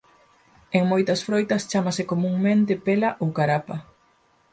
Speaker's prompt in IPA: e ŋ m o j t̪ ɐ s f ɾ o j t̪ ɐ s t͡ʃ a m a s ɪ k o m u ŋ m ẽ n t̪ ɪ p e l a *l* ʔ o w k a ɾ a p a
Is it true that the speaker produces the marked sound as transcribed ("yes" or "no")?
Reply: no